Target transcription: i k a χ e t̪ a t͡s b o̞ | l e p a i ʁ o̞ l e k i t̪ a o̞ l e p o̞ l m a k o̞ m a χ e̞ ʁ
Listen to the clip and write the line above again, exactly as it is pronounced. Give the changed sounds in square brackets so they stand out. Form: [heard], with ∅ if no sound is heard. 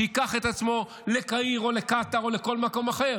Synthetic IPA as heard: i k a χ e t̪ a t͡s [m] o̞ | l e [k] a i ʁ o̞ l e k [a] t̪ a o̞ l e [k] o̞ l m a k o̞ m a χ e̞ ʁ